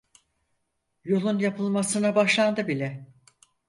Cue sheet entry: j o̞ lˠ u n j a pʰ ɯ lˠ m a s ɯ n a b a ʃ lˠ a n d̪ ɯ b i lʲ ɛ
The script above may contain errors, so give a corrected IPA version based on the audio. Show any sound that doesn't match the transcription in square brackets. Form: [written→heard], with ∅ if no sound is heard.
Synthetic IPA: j o̞ lˠ u n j a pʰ ɯ lˠ m a s ɯ n a b a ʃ lˠ a n d̪ ɯ b i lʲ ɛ